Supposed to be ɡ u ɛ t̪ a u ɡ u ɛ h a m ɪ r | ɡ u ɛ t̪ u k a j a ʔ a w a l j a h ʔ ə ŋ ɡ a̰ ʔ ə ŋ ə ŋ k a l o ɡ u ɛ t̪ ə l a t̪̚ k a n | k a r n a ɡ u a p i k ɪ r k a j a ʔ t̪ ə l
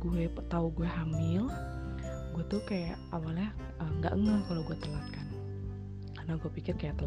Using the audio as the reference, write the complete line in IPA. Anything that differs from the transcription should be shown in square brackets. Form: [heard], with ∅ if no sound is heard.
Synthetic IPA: ɡ u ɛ t̪ a u ɡ u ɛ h a m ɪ [l] | ɡ u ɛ t̪ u k a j a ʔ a w a l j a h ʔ ə ŋ ɡ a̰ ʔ ə ŋ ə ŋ k a l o ɡ u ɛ t̪ ə l a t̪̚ k a n | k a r n a ɡ u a p i k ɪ r k a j a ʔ t̪ ə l